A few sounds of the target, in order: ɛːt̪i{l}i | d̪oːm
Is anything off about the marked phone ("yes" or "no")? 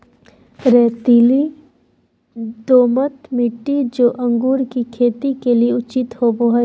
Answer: no